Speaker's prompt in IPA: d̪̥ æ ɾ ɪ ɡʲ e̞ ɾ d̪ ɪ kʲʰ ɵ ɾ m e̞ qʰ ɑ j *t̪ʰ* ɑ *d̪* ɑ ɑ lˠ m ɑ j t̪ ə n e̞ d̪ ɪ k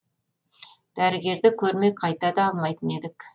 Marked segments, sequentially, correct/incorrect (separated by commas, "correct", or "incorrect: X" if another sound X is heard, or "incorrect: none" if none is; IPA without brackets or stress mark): incorrect: t̪, correct